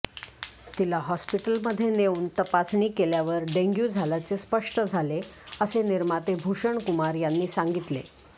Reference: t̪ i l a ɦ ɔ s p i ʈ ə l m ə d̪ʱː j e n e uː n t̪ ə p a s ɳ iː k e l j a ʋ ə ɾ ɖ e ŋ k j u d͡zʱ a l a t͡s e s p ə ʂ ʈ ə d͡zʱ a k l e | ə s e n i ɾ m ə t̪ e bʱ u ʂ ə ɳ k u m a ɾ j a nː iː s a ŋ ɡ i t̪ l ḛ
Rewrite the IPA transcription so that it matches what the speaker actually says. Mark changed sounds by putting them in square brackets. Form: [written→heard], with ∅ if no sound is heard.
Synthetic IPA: t̪ i l a ɦ ɔ s p i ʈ ə l m ə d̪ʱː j e n e uː n t̪ ə p a s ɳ iː k e l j a ʋ ə ɾ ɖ e ŋ [k→ɡ] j u d͡zʱ a l a t͡s e s p ə ʂ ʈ ə d͡zʱ a [k→∅] l e | ə s e n i ɾ m [ə→a] t̪ e bʱ u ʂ ə ɳ k u m a ɾ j a nː iː s a ŋ ɡ i t̪ l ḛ

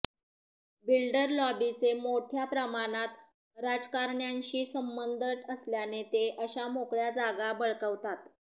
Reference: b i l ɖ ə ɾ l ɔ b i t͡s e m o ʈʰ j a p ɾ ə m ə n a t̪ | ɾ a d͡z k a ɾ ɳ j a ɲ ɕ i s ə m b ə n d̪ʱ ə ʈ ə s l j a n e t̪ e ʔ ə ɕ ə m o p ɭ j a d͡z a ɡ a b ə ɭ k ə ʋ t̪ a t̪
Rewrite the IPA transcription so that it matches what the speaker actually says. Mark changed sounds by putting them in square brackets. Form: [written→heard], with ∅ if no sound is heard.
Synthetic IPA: b i l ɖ ə ɾ l ɔ b i t͡s e m o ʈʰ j a p ɾ ə m [ə→a] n a t̪ | ɾ a d͡z k a ɾ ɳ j a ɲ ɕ [i→iː] s ə m b ə n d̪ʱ ə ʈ ə s l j a n e t̪ e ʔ ə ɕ [ə→a] m o [p→k] ɭ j a d͡z a ɡ a b ə ɭ k ə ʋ t̪ a t̪

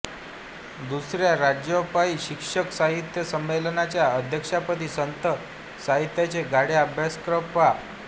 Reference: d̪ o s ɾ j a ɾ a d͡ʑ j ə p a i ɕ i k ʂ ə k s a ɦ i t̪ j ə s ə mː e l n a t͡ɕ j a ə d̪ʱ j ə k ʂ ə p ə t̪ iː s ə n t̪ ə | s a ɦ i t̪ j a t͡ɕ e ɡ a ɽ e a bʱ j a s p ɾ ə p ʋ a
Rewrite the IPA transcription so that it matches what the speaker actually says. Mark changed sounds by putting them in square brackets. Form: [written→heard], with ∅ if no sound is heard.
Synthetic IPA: d̪ [o→u] s ɾ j a ɾ a d͡ʑ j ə p a i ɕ i k ʂ ə k s a ɦ i t̪ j ə s ə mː e l n a t͡ɕ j a ə d̪ʱ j ə k ʂ [ə→a] p ə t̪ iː s ə n t̪ ə | s a ɦ i t̪ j a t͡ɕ e ɡ a ɽ e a bʱ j a s [p→k] ɾ ə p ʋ a

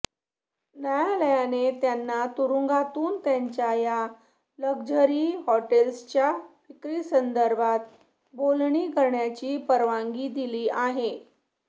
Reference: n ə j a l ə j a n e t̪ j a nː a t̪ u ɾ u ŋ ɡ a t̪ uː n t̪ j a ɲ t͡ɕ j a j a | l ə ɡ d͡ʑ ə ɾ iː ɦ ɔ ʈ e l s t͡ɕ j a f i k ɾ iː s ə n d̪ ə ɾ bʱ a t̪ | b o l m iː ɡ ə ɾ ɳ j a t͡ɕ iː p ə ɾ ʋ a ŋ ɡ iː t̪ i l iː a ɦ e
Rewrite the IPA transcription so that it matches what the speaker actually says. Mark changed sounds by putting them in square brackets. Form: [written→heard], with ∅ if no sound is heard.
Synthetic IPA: n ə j a l ə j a n e t̪ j a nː a t̪ u ɾ u ŋ ɡ a t̪ uː n t̪ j a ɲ t͡ɕ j a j a | l ə ɡ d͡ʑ ə ɾ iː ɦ ɔ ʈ e l s t͡ɕ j a f i k ɾ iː s ə n d̪ ə ɾ bʱ a t̪ | b o l [m→ɳ] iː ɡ ə ɾ ɳ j a t͡ɕ iː p ə ɾ ʋ a ŋ ɡ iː [t̪→d̪] i l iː a ɦ e

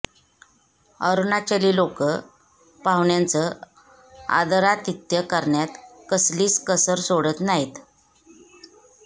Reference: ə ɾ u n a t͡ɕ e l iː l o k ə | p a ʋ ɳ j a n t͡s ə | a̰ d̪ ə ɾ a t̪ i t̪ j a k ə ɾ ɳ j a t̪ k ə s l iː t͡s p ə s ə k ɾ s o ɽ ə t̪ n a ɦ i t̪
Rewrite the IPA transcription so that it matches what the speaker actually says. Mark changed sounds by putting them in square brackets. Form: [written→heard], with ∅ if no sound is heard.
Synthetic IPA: ə ɾ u n a t͡ɕ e l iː l o k ə | p a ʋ ɳ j a n t͡s ə | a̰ d̪ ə ɾ a t̪ i t̪ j [a→ə] k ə ɾ ɳ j a t̪ k ə s l iː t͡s [p→k] ə s ə [k→∅] ɾ s o ɽ ə t̪ n a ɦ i t̪

